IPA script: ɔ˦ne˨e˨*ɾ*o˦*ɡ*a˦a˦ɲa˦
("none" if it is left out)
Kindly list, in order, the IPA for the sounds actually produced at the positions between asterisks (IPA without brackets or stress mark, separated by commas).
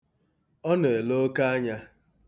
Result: l, k